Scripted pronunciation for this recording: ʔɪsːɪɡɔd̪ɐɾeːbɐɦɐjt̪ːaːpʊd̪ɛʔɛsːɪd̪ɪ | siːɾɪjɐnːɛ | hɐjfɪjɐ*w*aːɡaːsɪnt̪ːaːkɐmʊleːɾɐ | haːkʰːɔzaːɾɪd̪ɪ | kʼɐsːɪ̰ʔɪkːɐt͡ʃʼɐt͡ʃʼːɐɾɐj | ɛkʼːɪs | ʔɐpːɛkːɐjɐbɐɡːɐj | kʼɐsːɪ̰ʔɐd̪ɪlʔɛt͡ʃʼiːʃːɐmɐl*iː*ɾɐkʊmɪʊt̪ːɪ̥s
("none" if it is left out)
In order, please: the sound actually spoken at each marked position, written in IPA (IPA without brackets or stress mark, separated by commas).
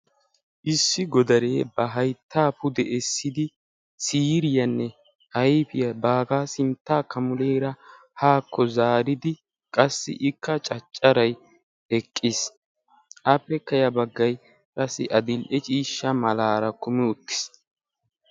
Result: b, aː